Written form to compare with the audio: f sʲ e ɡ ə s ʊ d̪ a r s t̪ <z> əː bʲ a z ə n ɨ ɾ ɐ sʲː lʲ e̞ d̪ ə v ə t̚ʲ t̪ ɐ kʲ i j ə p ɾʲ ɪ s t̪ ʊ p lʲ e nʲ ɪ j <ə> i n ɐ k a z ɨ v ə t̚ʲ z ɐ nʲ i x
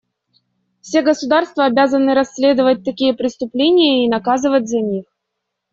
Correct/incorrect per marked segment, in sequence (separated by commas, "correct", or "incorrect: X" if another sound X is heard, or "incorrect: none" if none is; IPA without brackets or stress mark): incorrect: v, correct